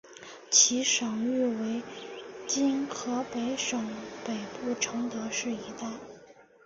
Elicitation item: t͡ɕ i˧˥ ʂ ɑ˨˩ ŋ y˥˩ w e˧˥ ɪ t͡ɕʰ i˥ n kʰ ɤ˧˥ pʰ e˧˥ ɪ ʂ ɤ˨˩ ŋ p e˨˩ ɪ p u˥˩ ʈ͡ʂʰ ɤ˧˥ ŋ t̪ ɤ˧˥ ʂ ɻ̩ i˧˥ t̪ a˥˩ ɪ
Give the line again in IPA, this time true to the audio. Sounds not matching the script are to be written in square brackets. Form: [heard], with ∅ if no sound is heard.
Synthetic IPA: [t͡ɕʰ] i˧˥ ʂ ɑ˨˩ ŋ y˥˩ w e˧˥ ɪ [t͡ɕ] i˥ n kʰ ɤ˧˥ [p] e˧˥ ɪ ʂ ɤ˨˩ ŋ p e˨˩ ɪ p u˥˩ ʈ͡ʂʰ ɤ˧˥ ŋ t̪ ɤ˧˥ ʂ ɻ̩ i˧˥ t̪ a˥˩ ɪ